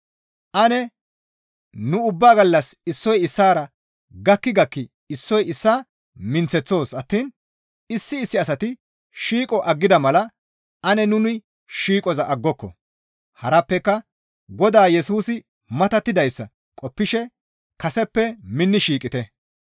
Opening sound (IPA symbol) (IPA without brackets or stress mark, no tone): ʔ